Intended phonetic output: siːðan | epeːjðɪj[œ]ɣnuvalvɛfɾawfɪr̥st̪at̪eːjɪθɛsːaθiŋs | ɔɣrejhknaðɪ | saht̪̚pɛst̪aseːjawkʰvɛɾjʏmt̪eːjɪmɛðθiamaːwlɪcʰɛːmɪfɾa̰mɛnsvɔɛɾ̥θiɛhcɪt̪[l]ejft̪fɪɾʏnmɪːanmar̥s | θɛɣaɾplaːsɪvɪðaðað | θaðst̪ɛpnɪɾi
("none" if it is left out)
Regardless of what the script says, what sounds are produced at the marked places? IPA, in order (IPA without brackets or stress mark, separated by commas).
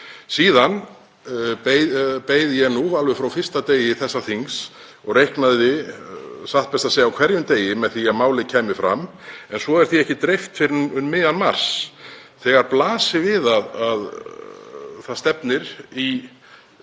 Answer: ɛ, ɾ